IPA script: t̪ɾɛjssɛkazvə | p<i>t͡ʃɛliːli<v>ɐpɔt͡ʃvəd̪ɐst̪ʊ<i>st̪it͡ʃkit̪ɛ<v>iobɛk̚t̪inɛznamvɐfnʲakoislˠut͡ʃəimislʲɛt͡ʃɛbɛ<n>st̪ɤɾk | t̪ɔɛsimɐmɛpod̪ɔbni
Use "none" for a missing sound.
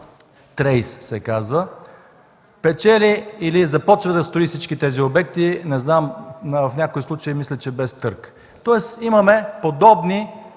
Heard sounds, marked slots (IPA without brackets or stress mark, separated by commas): ɛ, z, i, z, none